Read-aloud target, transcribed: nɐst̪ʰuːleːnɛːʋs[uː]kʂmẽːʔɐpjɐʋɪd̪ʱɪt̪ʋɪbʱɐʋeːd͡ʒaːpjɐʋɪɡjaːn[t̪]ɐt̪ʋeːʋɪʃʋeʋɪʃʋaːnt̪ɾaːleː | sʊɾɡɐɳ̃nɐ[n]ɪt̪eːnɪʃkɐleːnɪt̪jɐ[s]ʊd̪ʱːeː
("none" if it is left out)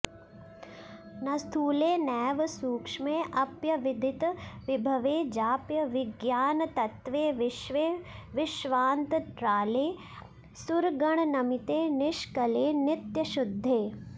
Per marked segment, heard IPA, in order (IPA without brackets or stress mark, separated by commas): uː, t̪, m, ʃ